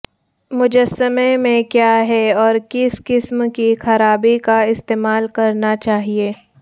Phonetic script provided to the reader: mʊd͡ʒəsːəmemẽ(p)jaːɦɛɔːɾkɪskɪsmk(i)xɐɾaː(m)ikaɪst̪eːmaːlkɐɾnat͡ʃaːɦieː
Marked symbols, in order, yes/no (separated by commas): no, yes, no